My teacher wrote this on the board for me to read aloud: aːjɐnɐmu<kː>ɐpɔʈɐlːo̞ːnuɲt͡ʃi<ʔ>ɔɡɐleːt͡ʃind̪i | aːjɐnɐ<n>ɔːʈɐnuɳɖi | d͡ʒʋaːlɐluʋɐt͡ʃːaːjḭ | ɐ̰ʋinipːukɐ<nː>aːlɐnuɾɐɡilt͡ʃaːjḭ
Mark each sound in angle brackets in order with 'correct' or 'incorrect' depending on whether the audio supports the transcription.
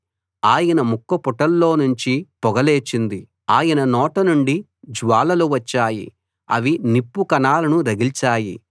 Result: correct, incorrect, correct, incorrect

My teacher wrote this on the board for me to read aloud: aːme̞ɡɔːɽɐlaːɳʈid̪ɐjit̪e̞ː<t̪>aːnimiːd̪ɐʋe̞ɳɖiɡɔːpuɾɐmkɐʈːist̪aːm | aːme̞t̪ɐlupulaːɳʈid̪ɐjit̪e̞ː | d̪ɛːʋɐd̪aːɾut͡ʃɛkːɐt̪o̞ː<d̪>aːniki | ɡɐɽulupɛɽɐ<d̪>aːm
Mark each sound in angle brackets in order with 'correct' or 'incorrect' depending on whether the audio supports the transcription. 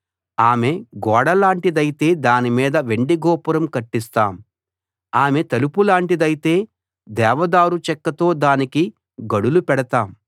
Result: incorrect, correct, incorrect

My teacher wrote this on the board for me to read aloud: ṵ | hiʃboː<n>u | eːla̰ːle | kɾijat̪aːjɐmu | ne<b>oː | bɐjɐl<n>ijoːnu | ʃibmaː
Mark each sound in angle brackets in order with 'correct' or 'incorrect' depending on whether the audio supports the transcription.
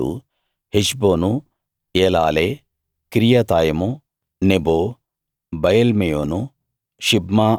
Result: correct, correct, incorrect

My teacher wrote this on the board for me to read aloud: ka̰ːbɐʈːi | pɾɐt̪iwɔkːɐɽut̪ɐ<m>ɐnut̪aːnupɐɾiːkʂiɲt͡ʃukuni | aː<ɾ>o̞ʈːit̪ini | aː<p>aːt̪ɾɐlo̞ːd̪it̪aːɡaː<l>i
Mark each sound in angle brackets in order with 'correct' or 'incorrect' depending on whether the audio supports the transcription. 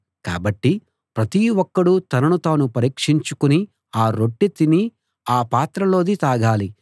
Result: incorrect, correct, correct, correct

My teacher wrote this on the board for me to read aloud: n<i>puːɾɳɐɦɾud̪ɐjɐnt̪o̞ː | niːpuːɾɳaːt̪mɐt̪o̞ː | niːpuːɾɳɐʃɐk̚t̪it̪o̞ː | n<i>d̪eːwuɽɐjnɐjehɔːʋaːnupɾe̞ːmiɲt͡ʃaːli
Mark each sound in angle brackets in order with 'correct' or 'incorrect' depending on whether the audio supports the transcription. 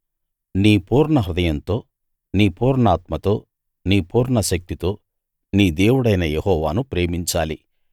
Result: incorrect, incorrect

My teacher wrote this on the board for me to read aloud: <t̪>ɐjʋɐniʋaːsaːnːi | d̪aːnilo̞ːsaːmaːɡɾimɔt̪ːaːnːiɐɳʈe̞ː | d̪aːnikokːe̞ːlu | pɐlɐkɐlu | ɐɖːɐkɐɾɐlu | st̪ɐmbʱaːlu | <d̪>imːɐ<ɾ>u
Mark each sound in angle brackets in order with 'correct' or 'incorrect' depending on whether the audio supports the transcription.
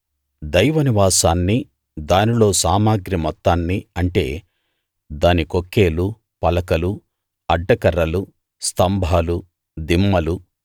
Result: incorrect, correct, incorrect

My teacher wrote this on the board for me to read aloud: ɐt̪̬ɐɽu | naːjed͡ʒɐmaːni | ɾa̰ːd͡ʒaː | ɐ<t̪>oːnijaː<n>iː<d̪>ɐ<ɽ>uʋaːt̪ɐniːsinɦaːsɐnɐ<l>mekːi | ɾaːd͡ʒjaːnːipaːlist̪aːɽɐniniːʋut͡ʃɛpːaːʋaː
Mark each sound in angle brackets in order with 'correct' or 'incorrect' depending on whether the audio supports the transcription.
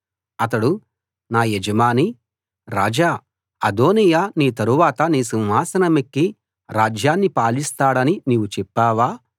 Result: incorrect, correct, incorrect, incorrect, incorrect

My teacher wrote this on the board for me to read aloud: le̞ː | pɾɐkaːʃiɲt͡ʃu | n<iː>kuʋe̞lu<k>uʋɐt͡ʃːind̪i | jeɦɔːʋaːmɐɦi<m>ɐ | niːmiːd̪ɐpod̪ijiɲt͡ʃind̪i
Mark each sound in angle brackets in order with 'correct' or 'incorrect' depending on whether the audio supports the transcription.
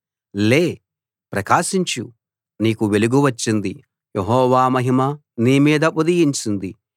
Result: correct, incorrect, correct

